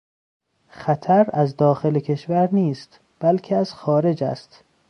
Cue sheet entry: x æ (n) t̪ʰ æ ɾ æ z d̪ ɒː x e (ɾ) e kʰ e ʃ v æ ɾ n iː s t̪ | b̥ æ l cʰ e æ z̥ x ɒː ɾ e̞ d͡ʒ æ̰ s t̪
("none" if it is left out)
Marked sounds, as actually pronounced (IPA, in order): none, l

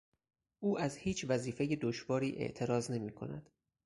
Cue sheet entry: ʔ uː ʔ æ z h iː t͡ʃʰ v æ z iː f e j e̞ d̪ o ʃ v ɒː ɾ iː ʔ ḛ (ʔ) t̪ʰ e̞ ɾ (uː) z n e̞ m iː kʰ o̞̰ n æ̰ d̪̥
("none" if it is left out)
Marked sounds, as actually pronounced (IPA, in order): ʔ, ɒː

